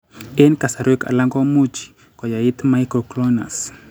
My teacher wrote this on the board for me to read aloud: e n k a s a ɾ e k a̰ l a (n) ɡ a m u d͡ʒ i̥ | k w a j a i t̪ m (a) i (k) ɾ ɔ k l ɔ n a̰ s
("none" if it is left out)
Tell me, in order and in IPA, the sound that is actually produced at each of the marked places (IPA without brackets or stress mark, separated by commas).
ŋ, a, k